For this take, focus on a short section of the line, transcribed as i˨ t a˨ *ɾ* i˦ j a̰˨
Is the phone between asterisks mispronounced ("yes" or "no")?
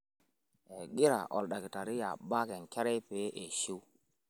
no